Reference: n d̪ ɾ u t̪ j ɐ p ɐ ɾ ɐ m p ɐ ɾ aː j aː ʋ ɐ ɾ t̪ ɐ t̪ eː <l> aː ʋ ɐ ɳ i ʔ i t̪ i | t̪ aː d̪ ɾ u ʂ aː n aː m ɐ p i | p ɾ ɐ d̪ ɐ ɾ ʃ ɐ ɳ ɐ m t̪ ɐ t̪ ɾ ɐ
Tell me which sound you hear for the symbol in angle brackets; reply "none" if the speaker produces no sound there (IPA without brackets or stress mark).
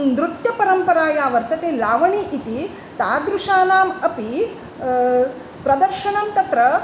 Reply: l